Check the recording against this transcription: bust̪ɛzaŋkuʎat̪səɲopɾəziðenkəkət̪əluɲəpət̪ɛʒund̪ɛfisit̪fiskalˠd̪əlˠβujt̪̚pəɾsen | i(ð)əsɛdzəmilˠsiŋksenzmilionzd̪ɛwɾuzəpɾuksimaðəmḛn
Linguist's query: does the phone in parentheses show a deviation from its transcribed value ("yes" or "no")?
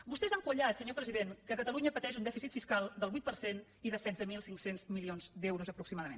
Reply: no